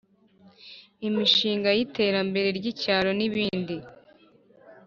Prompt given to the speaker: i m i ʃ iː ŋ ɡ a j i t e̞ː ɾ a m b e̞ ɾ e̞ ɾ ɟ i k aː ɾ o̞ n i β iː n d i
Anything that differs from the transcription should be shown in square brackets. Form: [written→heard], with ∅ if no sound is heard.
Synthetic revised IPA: i m i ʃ iː ŋ ɡ a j i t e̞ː ɾ a m b e̞ ɾ e̞ ɾ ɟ i [k→c] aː ɾ o̞ n i β iː n d i